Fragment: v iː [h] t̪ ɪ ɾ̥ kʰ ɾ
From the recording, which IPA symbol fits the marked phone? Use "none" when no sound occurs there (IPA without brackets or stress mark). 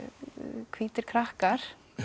none